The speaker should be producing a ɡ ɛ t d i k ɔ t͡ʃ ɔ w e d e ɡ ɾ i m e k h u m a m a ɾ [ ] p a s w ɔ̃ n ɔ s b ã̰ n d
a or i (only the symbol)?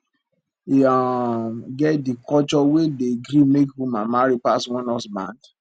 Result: i